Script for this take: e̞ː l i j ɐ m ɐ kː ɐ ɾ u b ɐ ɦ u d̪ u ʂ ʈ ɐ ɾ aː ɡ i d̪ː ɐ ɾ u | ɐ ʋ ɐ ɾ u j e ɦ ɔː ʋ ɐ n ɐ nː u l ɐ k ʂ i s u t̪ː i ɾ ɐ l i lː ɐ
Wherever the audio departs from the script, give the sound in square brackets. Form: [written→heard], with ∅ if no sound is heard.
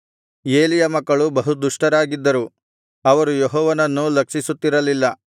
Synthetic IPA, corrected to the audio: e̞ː l i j ɐ m ɐ kː ɐ [ɾ→ɭ] u b ɐ ɦ u d̪ u ʂ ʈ ɐ ɾ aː ɡ i d̪ː ɐ ɾ u | ɐ ʋ ɐ ɾ u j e ɦ ɔː ʋ ɐ n ɐ nː u l ɐ k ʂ i s u t̪ː i ɾ ɐ l i lː ɐ